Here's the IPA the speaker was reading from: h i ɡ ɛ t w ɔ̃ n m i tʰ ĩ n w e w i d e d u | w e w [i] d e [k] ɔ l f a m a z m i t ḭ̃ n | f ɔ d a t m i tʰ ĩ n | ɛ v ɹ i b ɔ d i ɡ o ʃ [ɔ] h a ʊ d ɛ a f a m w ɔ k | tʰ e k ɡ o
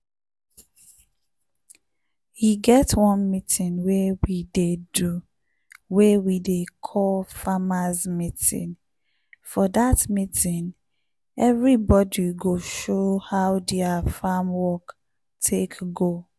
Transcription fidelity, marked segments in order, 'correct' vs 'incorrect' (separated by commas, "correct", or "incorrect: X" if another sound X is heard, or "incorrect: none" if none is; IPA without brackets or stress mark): correct, incorrect: kʰ, incorrect: o